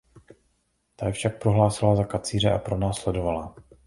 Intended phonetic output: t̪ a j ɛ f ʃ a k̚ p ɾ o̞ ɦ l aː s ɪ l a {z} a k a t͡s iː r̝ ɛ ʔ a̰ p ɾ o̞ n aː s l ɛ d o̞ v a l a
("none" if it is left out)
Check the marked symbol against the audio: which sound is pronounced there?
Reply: z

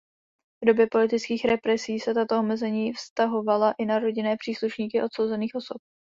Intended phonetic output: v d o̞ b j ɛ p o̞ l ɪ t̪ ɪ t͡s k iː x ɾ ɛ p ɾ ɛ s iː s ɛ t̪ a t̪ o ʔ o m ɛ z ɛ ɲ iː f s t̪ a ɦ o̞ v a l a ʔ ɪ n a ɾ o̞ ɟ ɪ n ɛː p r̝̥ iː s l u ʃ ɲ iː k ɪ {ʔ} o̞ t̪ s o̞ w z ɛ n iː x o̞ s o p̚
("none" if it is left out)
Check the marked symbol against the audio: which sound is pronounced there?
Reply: ʔ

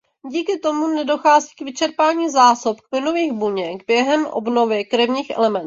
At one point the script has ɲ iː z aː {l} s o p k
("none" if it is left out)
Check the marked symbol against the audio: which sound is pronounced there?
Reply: none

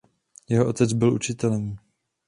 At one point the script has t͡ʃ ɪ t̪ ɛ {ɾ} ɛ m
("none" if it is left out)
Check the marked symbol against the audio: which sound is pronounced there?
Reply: l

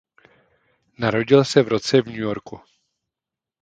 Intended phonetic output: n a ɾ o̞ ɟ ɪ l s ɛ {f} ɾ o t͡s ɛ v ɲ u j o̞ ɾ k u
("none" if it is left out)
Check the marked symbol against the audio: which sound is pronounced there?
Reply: v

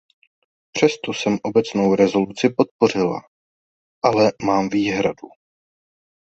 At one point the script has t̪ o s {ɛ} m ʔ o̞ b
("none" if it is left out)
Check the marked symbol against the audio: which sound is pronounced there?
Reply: ɛ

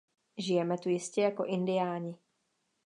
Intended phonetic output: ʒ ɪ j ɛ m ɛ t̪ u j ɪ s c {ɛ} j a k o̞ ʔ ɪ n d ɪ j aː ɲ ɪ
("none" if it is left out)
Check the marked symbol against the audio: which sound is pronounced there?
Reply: ɛ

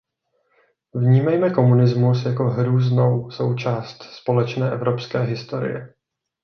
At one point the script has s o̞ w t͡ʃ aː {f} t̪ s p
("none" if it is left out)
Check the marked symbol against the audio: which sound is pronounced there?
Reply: s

